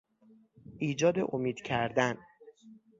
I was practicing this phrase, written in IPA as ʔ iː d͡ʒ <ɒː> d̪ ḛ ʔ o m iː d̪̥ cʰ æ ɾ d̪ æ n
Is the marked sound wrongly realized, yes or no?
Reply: no